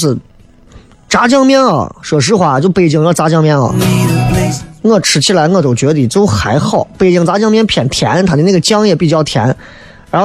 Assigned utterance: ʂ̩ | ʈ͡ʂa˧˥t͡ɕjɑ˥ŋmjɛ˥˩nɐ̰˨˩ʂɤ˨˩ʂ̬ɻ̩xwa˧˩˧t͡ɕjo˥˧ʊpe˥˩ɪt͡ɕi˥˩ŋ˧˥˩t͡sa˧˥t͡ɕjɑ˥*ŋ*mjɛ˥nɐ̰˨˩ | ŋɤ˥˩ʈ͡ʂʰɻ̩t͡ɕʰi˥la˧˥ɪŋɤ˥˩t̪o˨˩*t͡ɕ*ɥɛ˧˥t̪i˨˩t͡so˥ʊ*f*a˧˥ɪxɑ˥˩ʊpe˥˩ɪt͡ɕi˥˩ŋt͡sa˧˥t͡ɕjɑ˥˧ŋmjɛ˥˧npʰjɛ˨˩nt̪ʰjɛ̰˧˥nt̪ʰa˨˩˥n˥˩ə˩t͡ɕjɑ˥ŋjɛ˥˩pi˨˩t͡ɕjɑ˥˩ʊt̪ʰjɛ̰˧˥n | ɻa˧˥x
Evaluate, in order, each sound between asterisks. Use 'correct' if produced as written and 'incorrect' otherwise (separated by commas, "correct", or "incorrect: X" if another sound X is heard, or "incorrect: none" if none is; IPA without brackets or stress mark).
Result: correct, correct, incorrect: x